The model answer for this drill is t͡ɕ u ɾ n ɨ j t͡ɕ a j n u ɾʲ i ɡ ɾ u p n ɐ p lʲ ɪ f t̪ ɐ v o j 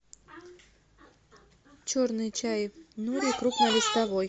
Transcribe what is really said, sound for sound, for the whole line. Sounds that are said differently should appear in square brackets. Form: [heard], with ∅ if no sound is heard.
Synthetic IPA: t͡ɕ [o] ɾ n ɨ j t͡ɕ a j n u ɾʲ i [k] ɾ u p n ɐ [∅] lʲ ɪ [s] t̪ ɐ v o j